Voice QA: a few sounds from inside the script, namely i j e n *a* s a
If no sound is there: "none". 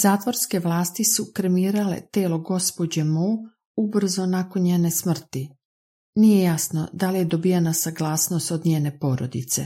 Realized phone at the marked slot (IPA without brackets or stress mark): a